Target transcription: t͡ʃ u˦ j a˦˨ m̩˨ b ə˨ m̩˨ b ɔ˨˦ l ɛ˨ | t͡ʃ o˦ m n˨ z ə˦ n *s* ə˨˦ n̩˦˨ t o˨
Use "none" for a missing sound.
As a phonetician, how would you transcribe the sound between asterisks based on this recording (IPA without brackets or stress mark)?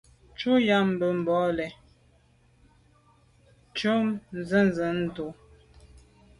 z